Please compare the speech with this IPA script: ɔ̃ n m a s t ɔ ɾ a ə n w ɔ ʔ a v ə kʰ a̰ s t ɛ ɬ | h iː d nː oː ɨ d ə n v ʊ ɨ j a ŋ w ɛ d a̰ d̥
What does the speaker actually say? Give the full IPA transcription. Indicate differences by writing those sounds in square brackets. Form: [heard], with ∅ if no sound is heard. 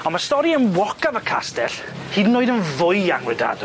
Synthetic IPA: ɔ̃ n m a s t ɔ ɾ [i] ə n w ɔ [k] a v ə kʰ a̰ s t ɛ ɬ | h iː d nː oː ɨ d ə n v ʊ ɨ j a ŋ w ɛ d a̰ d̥